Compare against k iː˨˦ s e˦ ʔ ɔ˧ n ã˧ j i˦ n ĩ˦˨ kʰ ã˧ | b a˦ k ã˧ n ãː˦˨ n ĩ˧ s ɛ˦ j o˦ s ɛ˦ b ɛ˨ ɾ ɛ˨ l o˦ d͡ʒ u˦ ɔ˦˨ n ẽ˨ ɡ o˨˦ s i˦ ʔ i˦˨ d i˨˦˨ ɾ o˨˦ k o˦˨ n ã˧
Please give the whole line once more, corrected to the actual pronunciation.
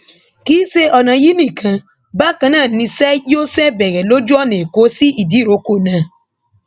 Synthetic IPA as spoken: k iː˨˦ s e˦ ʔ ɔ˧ n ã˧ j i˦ n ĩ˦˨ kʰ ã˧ | b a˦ k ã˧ n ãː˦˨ n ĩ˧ s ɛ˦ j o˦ s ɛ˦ b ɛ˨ ɾ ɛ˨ l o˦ d͡ʒ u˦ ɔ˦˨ n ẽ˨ k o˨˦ s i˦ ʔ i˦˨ d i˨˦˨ ɾ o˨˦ k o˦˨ n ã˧

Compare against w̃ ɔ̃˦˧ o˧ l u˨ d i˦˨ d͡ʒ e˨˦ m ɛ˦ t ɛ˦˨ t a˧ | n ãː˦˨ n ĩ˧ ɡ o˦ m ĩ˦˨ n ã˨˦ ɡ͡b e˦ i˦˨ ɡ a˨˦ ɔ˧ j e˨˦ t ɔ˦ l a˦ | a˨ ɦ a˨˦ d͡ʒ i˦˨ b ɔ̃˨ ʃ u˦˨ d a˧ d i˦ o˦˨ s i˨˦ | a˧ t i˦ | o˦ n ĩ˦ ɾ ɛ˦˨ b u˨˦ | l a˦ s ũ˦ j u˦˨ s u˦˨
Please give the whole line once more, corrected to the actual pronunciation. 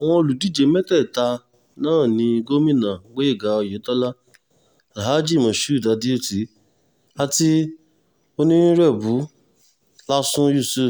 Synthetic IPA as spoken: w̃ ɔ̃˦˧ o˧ l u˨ d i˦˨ d͡ʒ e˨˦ m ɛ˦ t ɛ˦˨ t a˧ | n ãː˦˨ n ĩ˧ ɡ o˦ m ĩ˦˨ n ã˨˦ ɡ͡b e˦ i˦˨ ɡ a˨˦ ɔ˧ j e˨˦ t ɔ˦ l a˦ | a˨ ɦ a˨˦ d͡ʒ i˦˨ m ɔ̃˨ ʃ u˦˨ d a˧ d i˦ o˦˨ t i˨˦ | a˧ t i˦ | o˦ n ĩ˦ ɾ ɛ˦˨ b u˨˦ | l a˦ s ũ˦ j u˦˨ s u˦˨

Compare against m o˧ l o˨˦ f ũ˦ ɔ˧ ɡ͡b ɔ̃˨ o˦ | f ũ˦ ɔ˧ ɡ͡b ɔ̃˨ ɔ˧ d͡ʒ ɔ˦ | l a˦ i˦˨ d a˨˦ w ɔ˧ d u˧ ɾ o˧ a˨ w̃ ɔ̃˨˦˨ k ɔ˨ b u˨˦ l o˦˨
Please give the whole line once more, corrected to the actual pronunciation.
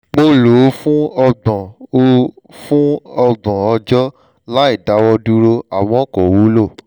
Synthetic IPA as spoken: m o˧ l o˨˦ f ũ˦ ɔ˧ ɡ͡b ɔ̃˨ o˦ | f ũ˦ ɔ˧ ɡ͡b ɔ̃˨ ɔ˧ d͡ʒ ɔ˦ | l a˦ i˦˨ d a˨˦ w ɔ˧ d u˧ ɾ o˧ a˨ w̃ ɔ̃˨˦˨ k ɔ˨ w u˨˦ l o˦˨

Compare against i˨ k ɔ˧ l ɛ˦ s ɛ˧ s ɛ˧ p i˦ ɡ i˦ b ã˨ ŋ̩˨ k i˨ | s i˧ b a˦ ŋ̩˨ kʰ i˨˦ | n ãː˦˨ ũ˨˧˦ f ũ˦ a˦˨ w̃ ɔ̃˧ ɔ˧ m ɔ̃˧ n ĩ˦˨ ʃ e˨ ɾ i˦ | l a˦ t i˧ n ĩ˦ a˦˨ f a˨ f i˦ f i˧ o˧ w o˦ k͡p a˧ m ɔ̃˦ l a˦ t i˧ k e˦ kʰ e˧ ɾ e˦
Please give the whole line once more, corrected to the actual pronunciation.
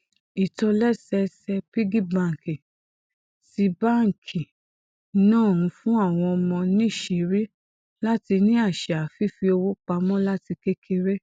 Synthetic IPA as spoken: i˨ t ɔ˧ l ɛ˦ s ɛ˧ s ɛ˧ p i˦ ɡ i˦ b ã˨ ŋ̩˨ k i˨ | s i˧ b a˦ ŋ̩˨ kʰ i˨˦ | n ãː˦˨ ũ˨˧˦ f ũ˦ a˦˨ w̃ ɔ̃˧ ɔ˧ m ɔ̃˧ n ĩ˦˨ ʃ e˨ ɾ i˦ | l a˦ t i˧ n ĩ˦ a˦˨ ʃ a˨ f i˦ f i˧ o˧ w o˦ k͡p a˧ m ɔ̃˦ l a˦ t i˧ k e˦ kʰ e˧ ɾ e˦

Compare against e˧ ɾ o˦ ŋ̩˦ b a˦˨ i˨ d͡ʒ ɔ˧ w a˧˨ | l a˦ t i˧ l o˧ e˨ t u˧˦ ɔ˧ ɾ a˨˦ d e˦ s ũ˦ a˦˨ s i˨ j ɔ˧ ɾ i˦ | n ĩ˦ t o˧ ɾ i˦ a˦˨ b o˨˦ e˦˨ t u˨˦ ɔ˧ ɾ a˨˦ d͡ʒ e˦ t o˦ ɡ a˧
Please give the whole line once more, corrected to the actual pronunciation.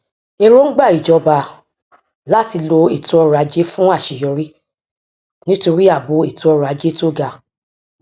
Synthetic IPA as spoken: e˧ ɾ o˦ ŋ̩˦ ɡ͡b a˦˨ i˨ d͡ʒ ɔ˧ b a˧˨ | l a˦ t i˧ l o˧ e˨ t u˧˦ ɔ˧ ɾ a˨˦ d͡ʒ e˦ f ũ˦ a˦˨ ʃ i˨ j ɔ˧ ɾ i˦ | n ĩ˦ t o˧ ɾ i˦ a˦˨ b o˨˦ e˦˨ t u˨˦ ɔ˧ ɾ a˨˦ d͡ʒ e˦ t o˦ ɡ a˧

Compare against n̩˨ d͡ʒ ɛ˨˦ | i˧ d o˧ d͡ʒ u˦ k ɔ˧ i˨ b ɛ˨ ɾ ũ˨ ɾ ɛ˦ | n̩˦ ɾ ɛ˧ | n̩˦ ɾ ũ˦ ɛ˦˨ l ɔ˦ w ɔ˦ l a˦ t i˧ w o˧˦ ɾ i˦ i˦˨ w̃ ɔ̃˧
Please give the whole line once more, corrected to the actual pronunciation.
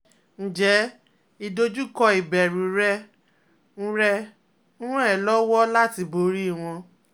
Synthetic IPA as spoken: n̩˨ d͡ʒ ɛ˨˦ | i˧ d o˧ d͡ʒ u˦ k ɔ˧ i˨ b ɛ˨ ɾ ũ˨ ɾ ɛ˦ | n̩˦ ɾ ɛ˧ | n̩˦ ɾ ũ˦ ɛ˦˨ l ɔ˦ w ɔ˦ l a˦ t i˧ b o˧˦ ɾ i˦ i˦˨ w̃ ɔ̃˧

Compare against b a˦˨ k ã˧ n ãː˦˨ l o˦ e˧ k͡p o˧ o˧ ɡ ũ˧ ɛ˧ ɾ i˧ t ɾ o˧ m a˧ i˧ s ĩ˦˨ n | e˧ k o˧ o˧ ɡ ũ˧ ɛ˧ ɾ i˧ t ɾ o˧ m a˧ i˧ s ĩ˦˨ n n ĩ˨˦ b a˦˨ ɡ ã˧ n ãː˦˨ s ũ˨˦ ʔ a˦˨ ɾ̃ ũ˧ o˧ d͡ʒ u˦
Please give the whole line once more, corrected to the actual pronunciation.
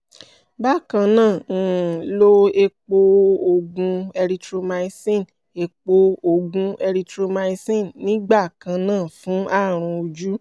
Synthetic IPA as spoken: b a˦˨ k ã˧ n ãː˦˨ l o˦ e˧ k͡p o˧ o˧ ɡ ũ˧ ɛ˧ ɾ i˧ t ɾ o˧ m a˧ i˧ s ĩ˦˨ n | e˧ k͡p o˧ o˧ ɡ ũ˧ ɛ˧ ɾ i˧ t ɾ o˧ m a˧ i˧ s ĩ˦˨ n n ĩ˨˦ ɡ͡b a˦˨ k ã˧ n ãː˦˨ f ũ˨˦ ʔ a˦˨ ɾ̃ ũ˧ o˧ d͡ʒ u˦

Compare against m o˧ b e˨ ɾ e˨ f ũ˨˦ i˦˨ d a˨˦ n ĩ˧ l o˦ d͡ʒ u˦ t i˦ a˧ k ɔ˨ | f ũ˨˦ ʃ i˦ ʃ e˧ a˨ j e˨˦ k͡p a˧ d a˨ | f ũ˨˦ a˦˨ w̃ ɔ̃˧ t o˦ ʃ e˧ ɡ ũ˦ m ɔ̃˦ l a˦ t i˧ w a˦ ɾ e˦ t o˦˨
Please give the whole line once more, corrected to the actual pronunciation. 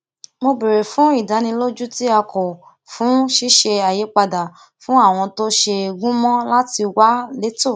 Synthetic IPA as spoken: m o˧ b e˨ ɾ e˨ f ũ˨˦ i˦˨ d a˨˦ n ĩ˧ l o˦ d͡ʒ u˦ t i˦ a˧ k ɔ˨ | f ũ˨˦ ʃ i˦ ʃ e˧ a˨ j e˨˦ k͡p a˧ d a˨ | f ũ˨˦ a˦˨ w̃ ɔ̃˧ t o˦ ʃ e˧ ɡ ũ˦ m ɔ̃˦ l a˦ t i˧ w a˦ l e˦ t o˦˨

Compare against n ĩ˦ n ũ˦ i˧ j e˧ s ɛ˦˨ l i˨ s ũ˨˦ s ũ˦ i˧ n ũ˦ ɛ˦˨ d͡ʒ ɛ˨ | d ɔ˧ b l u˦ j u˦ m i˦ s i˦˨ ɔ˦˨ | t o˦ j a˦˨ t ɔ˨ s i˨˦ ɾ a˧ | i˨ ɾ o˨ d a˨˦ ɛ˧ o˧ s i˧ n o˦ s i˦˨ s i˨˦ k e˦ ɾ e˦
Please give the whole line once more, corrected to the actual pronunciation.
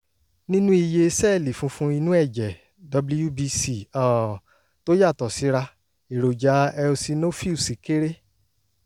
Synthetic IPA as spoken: n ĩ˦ n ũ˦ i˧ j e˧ s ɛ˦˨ l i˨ f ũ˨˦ f ũ˦ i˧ n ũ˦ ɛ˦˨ d͡ʒ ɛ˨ | d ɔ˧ b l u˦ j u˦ b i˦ s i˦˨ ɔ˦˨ | t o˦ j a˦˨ t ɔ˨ s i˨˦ ɾ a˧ | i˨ ɾ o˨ d͡ʒ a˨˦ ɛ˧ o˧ s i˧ n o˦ f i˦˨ s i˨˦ k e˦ ɾ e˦

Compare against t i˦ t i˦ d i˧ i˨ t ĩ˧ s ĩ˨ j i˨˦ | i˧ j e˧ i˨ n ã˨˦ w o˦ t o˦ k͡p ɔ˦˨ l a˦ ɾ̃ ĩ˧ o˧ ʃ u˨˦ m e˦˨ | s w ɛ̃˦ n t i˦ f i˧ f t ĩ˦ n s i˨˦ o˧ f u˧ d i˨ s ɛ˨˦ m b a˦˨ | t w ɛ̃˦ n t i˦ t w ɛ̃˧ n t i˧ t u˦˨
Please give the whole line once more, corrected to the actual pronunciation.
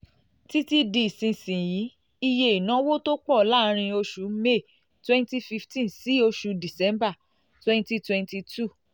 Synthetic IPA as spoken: t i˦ t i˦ d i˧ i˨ s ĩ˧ s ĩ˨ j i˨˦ | i˧ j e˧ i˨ n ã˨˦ w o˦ t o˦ k͡p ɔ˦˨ l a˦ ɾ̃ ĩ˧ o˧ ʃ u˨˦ m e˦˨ | t w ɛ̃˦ n t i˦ f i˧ f t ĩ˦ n s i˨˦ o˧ ʃ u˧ d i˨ s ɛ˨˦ m b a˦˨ | t w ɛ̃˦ n t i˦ t w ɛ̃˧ n t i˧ t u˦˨

